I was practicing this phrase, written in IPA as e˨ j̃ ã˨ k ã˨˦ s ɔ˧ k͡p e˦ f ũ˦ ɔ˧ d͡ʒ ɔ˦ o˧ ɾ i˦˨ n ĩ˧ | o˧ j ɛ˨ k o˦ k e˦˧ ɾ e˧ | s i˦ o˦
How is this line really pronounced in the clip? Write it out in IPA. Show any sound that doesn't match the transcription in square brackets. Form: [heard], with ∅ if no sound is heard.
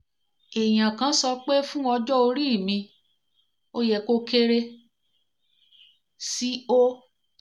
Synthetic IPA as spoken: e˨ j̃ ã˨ k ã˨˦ s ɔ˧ k͡p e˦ f ũ˦ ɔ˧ d͡ʒ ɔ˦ o˧ ɾ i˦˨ [m] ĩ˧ | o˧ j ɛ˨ k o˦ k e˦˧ ɾ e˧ | s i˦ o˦

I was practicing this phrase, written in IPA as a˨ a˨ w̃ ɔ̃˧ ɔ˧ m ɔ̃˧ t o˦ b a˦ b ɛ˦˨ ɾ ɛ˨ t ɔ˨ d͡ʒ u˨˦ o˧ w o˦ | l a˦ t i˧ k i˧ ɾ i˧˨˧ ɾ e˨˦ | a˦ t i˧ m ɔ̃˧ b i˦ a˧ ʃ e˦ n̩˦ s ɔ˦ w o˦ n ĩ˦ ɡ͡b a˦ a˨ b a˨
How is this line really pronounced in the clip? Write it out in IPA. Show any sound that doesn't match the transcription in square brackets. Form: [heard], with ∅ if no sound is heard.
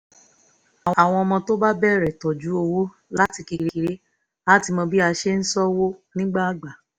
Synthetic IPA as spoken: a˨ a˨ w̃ ɔ̃˧ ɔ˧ m ɔ̃˧ t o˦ b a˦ b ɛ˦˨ ɾ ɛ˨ t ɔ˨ d͡ʒ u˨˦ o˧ w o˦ | l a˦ t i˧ k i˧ ɾ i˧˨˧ ɾ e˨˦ | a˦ t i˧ m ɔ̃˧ b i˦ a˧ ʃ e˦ n̩˦ s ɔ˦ w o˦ n ĩ˦ ɡ͡b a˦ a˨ [ɡ͡b] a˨

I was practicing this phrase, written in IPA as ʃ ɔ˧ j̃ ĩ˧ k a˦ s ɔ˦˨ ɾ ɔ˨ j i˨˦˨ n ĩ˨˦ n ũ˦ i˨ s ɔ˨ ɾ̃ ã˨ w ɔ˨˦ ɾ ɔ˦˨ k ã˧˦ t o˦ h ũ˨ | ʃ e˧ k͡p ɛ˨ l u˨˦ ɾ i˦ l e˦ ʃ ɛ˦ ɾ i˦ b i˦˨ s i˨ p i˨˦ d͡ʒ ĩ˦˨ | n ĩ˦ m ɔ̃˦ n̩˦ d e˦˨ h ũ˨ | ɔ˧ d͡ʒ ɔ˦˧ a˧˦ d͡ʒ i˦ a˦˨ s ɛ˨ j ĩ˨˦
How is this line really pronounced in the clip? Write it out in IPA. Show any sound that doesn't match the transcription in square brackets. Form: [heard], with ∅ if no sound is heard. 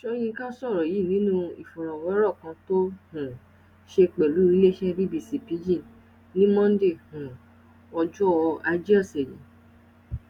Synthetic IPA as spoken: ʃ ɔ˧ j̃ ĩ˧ k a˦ s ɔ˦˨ ɾ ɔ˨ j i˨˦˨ n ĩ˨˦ n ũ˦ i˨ [f] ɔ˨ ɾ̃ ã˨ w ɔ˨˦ ɾ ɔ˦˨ k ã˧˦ t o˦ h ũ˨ | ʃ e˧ k͡p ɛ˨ l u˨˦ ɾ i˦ l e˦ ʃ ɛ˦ ɾ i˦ b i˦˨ s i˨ p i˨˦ d͡ʒ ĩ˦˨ | n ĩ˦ m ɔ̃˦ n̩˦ d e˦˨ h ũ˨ | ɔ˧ d͡ʒ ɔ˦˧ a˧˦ d͡ʒ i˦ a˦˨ s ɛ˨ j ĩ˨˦

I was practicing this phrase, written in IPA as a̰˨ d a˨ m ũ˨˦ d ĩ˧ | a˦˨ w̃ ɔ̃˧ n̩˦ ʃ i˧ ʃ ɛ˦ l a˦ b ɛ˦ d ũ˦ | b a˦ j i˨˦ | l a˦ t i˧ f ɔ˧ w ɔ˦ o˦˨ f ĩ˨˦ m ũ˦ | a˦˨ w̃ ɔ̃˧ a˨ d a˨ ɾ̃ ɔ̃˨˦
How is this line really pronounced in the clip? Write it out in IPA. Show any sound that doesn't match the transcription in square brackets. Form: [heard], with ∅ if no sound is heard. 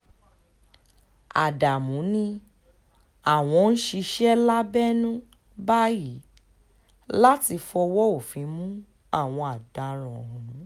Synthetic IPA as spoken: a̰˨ d a˨ m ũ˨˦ [n] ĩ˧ | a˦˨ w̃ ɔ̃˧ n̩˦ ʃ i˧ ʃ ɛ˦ l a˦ b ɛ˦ [n] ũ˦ | b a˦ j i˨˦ | l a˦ t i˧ f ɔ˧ w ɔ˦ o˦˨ f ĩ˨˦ m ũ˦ | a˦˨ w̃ ɔ̃˧ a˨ d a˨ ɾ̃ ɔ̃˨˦

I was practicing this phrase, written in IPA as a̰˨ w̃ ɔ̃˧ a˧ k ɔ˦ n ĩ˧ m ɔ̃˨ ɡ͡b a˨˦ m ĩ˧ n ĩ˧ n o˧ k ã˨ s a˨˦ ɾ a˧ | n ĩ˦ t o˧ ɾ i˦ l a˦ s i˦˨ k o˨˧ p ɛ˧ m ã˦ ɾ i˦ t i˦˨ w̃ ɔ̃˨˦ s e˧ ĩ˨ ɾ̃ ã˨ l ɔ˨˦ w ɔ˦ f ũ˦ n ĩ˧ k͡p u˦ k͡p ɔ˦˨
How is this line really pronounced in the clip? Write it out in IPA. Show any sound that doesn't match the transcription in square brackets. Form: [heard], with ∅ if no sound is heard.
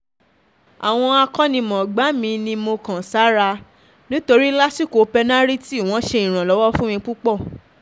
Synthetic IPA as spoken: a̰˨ w̃ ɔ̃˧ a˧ k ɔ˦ n ĩ˧ m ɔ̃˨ ɡ͡b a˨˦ m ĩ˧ n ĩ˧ [m] o˧ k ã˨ s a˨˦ ɾ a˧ | n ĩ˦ t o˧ ɾ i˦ l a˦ s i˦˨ k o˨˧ p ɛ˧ [n] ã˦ ɾ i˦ t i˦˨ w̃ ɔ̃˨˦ [ʃ] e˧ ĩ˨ ɾ̃ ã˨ l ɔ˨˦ w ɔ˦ f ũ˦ [m] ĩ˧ k͡p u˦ k͡p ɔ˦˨

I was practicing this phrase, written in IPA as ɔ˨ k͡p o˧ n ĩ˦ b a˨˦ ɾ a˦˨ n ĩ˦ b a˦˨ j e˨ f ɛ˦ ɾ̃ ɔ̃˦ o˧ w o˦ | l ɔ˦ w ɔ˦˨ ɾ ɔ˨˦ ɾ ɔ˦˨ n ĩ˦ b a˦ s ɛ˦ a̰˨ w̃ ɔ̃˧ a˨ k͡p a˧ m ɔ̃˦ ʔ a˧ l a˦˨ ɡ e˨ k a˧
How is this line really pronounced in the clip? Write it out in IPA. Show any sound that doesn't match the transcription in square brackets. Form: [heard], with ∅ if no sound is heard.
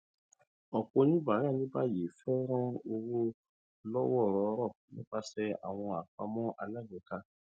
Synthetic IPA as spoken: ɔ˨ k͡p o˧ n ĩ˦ b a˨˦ ɾ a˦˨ n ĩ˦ b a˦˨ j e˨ f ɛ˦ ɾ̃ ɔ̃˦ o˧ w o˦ | l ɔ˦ w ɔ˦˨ ɾ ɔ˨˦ ɾ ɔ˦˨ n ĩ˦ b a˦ s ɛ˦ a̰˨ w̃ ɔ̃˧ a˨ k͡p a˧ m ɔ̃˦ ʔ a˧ l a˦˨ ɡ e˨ k a˧

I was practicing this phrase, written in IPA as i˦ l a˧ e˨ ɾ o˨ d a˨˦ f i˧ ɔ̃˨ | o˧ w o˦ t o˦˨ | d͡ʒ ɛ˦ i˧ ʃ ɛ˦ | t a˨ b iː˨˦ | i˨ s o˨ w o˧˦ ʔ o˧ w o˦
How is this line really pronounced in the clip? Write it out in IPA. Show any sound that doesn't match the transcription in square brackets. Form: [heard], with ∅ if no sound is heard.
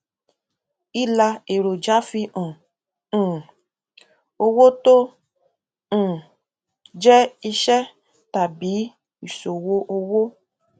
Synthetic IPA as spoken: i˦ l a˧ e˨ ɾ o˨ [d͡ʒ] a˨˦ f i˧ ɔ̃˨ | o˧ w o˦ t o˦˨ | d͡ʒ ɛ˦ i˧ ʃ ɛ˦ | t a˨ b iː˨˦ | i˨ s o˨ w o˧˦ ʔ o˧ w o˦

